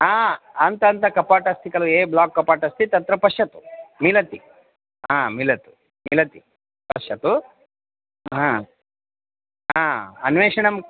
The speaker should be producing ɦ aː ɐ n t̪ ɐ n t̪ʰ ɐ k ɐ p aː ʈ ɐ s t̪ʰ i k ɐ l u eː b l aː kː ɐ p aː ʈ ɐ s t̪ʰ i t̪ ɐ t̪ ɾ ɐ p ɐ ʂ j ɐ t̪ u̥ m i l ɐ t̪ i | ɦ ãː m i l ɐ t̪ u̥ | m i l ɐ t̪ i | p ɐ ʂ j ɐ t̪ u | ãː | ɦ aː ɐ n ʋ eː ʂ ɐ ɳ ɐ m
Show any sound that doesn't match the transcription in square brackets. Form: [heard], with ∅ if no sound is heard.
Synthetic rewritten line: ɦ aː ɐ n t̪ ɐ n [t̪] ɐ k ɐ p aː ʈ ɐ s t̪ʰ i k ɐ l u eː b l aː kː ɐ p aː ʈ ɐ s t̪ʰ i t̪ ɐ t̪ ɾ ɐ p ɐ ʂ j ɐ t̪ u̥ m i l ɐ t̪ i | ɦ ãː m i l ɐ t̪ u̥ | m i l ɐ t̪ i | p ɐ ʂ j ɐ t̪ u | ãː | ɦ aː ɐ n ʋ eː ʂ ɐ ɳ ɐ m